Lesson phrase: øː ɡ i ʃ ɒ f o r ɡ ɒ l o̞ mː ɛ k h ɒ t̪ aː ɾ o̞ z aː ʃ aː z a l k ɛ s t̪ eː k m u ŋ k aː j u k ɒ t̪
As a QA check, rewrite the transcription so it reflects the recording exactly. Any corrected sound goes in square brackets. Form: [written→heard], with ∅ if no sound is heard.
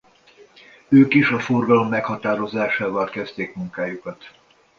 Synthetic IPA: øː [ɡ→k] i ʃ ɒ f o r ɡ ɒ l o̞ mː ɛ k h ɒ t̪ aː ɾ o̞ z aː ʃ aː [z→v] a l k ɛ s t̪ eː k m u ŋ k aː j u k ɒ t̪